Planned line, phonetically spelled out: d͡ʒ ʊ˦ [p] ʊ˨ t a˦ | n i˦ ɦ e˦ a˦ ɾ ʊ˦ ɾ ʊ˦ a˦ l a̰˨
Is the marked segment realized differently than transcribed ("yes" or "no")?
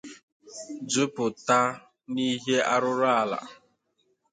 no